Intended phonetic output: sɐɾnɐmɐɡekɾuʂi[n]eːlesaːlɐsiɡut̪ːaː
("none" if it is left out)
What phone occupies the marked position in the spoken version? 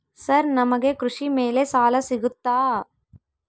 m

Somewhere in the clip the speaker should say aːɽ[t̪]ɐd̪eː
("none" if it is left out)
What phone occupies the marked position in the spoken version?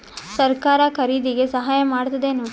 t̪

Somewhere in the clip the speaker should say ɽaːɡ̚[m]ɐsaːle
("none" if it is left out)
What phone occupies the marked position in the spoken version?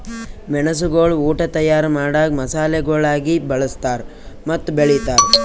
m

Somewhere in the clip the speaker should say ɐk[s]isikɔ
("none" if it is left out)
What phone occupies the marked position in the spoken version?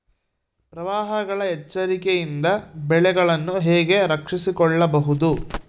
ʂ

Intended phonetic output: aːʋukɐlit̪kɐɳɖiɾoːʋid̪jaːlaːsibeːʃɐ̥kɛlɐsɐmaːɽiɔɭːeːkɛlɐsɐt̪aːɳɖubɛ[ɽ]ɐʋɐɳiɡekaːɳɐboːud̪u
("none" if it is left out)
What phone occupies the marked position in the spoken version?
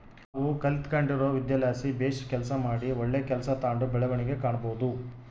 ɭ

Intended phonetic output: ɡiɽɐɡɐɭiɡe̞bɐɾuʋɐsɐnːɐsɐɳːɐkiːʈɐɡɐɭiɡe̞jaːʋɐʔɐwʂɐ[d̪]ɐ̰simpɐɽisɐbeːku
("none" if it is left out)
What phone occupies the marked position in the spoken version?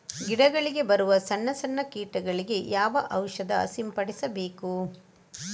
d̪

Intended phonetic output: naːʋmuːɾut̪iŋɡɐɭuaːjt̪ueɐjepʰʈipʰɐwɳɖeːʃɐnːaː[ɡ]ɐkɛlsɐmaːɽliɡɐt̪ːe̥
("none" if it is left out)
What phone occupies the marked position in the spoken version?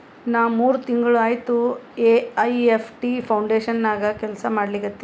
ɡ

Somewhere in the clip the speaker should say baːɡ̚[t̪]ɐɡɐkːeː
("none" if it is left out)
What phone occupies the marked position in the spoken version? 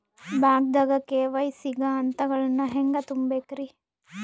d̪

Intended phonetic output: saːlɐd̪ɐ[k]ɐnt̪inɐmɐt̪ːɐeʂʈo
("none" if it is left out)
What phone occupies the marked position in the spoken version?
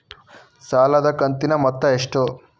k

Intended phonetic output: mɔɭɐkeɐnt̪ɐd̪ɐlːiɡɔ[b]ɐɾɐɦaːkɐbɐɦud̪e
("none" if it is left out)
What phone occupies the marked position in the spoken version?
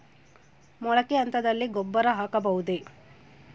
bː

